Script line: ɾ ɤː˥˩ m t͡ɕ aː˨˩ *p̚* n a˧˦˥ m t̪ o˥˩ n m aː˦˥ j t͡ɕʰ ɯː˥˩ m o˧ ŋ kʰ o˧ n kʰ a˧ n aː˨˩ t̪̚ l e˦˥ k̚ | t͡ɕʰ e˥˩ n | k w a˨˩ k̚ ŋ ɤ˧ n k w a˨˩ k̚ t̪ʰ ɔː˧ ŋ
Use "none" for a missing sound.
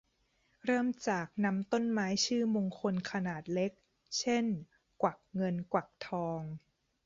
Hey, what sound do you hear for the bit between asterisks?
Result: k̚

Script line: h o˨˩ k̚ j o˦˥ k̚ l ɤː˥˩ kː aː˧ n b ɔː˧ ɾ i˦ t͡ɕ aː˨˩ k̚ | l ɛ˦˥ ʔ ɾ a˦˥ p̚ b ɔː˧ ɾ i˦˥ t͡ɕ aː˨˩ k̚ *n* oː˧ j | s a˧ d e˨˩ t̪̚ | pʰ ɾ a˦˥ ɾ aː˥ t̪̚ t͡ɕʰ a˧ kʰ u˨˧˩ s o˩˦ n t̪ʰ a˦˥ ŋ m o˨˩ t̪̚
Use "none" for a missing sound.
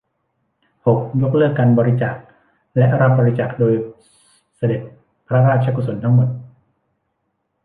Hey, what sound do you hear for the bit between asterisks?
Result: d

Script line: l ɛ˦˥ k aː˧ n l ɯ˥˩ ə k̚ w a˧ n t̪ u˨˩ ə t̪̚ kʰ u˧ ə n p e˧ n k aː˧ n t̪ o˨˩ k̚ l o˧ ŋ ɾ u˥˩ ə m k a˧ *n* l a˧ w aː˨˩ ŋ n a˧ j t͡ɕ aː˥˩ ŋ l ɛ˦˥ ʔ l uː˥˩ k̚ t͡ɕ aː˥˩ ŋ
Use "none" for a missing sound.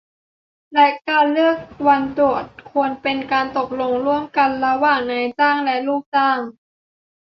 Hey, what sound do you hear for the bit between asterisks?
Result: n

